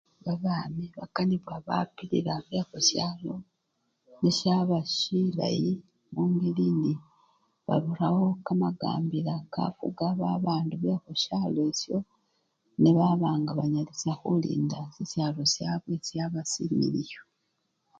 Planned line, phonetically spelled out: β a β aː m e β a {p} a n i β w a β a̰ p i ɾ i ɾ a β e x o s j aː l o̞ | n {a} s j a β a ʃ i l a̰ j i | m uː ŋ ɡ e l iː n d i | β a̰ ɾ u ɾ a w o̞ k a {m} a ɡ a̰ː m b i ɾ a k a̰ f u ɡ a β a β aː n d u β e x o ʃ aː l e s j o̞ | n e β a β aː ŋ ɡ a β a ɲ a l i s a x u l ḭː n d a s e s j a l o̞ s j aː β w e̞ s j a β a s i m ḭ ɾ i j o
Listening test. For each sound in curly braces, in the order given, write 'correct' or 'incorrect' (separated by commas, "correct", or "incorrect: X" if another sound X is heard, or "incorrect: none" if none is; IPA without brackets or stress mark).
incorrect: k, incorrect: e, correct